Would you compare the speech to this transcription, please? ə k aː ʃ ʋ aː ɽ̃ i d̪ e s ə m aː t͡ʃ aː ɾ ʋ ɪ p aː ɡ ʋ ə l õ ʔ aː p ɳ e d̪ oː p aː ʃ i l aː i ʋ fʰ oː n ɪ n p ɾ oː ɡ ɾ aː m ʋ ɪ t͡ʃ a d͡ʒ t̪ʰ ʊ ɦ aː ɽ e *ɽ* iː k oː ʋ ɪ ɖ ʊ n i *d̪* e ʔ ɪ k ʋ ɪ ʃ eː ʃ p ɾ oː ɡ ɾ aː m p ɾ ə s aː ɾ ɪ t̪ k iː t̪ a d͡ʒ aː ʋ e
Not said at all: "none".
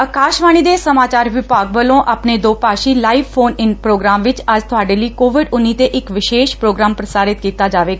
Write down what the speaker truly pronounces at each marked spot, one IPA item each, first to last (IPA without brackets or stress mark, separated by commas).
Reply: l, t̪